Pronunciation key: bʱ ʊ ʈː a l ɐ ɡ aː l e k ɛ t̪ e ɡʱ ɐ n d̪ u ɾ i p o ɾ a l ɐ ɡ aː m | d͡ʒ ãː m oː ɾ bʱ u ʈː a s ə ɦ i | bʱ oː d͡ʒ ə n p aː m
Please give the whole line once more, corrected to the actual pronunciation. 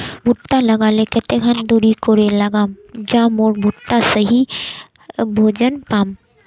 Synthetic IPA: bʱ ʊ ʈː a l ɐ ɡ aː l e k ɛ t̪ e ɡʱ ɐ n d̪ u ɾ i k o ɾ e l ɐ ɡ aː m | d͡ʒ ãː m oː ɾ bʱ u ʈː a s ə ɦ i | bʱ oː d͡ʒ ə n p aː m